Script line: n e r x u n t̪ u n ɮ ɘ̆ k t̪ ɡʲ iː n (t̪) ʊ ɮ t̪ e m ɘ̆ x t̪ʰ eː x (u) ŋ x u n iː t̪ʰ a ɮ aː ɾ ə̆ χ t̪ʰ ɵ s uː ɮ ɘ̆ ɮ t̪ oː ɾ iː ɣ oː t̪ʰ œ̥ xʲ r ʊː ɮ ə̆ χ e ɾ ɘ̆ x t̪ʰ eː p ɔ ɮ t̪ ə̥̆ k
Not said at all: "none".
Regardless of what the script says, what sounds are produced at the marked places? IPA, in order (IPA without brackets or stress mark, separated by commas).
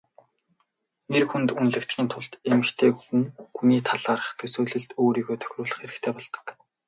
t̪ʰ, u